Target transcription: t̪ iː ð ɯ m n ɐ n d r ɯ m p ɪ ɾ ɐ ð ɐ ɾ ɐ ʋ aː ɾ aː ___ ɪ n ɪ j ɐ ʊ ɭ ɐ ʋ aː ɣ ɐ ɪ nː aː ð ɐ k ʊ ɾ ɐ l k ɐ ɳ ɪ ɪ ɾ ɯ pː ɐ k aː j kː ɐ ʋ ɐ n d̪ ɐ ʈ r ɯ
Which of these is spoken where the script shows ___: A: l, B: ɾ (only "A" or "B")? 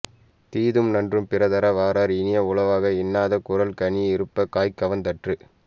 B